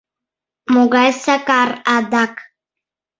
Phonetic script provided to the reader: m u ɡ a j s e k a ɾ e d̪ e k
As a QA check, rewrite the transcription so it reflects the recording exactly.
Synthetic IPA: m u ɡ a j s a k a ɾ a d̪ a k